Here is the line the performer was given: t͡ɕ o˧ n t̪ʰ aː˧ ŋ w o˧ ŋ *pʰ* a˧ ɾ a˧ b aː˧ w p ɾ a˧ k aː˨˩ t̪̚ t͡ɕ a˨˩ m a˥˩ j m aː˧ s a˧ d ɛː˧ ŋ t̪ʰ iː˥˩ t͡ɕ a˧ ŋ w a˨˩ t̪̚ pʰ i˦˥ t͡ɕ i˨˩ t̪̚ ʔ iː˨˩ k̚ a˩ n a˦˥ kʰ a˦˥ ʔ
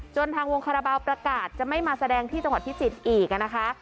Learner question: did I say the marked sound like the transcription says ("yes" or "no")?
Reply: no